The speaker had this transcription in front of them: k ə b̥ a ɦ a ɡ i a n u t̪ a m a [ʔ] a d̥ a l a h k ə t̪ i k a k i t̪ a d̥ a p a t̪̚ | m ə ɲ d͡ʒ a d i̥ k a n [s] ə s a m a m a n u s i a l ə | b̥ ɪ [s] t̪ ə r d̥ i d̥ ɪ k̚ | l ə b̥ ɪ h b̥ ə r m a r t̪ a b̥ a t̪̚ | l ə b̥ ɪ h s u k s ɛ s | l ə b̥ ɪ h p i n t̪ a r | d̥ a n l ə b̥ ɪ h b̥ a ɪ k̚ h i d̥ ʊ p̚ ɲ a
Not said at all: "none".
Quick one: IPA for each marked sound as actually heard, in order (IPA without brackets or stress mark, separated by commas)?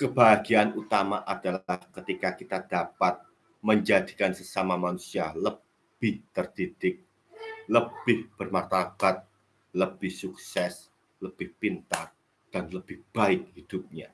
ʔ, s, h